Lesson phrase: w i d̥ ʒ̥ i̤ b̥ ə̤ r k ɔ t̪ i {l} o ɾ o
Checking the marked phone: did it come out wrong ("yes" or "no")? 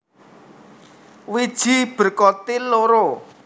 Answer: no